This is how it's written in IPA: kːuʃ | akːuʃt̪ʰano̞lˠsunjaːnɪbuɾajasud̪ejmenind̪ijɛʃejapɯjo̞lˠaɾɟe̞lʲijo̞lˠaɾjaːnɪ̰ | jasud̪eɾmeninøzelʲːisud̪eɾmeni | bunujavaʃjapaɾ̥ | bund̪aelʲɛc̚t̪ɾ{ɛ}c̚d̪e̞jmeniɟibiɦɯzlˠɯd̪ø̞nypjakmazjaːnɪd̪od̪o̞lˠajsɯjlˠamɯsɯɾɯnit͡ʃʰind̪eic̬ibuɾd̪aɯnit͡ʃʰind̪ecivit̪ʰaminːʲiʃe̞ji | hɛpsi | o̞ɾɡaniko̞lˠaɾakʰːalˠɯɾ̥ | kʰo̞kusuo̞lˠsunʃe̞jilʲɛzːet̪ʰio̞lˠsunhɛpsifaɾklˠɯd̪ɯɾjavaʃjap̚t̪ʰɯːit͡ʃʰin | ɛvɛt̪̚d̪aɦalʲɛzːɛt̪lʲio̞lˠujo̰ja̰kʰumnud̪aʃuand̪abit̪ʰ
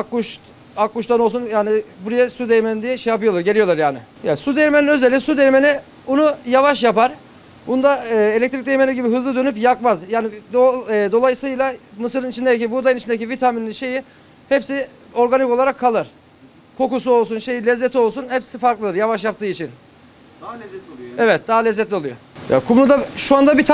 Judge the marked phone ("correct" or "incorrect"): incorrect